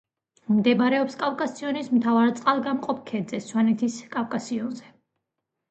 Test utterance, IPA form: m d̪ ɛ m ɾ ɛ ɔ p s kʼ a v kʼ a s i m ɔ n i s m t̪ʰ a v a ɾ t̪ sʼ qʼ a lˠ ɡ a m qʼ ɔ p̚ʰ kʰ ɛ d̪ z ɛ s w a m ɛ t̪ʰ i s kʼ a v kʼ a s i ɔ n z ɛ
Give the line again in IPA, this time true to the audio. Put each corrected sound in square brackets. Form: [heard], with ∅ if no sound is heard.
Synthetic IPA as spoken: m d̪ ɛ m ɾ ɛ ɔ p s kʼ a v kʼ a s i [∅] ɔ n i s m t̪ʰ a v a ɾ t̪ sʼ qʼ a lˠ ɡ a m qʼ ɔ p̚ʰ kʰ ɛ d̪ z ɛ s w a [n] ɛ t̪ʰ i s kʼ a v kʼ a s i ɔ n z ɛ